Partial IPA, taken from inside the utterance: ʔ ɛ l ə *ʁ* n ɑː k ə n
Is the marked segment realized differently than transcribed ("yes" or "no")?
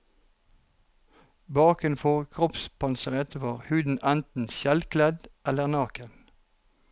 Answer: no